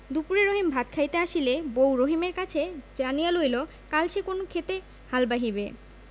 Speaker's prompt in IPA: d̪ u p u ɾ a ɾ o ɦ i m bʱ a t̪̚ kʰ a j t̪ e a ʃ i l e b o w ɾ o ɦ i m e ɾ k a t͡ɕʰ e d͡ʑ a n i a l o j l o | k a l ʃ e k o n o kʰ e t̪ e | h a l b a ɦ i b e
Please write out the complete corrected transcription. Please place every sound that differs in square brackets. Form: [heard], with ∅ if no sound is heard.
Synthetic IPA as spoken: d̪ u p u ɾ [e] ɾ o ɦ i m bʱ a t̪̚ kʰ a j t̪ e a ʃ i l e b o w ɾ o ɦ i m e ɾ k a t͡ɕʰ e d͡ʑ a n i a l o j l o | k a l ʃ e k o n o kʰ e t̪ e | h a l b a ɦ i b e